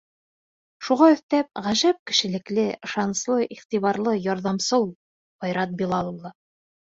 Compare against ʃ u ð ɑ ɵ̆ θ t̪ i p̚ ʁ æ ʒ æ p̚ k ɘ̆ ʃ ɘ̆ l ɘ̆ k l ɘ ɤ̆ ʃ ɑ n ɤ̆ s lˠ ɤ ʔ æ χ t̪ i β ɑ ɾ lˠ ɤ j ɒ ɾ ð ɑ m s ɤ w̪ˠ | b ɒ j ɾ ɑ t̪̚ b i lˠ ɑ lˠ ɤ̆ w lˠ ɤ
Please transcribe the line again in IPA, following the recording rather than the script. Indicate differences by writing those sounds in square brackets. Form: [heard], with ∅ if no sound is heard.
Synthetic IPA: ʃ u [ʁ] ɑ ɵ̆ θ t̪ [æ] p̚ ʁ æ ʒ æ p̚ k ɘ̆ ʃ ɘ̆ l ɘ̆ k l ɘ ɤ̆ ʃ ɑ n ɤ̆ s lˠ ɤ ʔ [i] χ t̪ i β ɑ ɾ lˠ ɤ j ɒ ɾ ð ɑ m s ɤ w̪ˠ | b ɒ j ɾ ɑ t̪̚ b i lˠ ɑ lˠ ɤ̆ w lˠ ɤ